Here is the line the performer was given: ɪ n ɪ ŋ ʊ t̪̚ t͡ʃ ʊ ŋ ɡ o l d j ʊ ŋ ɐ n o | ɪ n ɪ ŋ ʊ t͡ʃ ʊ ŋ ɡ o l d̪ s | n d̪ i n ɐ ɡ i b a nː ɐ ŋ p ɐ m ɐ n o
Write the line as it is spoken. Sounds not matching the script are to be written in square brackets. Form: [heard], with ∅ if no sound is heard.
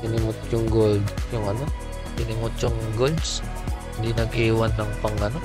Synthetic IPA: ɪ n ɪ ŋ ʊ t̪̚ t͡ʃ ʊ ŋ ɡ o l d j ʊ ŋ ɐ n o | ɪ n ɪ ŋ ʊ t͡ʃ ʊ ŋ ɡ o l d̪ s | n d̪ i n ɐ ɡ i [w] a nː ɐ ŋ p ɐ [ŋ] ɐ n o